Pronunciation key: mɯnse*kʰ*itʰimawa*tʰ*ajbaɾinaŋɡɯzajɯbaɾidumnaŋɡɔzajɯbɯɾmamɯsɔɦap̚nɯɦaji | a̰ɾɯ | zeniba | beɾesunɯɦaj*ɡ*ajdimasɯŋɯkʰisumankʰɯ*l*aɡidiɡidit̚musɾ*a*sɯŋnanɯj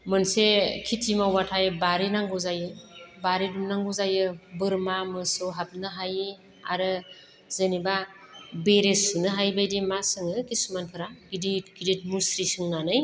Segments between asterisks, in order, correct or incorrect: correct, correct, incorrect, incorrect, incorrect

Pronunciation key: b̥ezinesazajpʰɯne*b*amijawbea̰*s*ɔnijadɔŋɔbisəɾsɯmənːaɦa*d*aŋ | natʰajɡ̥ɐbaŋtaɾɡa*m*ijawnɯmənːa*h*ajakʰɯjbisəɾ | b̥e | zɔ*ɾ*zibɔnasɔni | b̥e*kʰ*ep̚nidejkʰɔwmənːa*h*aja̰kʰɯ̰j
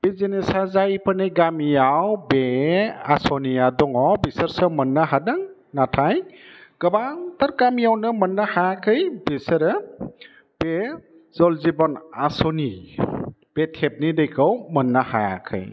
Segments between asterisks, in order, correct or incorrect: incorrect, correct, correct, correct, correct, incorrect, incorrect, correct

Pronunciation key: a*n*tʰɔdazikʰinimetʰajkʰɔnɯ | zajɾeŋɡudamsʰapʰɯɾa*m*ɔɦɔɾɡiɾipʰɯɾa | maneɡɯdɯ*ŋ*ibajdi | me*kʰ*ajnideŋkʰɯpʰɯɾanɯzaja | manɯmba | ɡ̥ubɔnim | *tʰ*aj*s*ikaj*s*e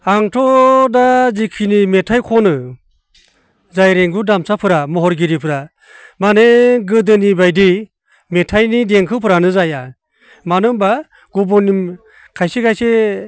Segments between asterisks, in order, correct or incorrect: incorrect, correct, incorrect, incorrect, incorrect, correct, correct

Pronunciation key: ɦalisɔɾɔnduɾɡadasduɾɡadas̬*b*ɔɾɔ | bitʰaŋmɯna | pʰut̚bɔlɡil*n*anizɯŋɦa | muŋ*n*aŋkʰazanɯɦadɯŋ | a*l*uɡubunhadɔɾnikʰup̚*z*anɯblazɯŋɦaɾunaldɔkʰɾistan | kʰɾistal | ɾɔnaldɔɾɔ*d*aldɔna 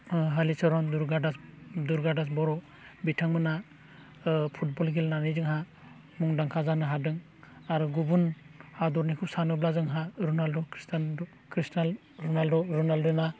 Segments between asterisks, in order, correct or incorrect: correct, correct, incorrect, incorrect, incorrect, incorrect

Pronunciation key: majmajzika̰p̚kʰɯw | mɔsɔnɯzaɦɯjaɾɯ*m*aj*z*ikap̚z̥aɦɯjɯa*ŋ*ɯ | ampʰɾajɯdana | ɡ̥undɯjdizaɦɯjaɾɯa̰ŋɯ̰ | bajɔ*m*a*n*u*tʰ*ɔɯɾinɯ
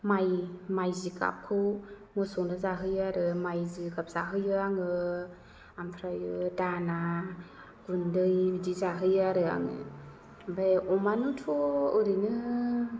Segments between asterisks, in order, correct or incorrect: correct, correct, correct, correct, correct, correct

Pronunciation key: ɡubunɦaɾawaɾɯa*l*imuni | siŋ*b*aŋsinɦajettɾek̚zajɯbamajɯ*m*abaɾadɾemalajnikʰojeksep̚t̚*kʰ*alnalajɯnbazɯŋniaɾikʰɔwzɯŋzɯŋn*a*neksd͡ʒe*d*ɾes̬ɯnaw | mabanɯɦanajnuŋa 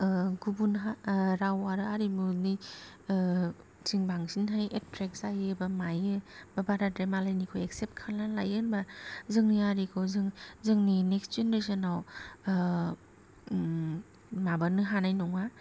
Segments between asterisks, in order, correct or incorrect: incorrect, correct, incorrect, correct, incorrect, incorrect

